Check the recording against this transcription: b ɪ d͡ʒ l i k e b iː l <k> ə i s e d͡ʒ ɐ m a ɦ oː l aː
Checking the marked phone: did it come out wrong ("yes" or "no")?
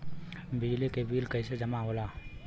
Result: no